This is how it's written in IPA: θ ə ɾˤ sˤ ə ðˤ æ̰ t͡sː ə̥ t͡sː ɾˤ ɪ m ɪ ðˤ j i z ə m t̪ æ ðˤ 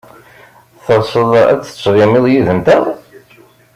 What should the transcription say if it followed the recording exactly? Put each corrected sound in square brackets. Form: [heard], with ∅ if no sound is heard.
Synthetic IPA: θ ə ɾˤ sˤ ə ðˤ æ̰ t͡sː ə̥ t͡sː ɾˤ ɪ m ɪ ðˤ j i [ð] ə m t̪ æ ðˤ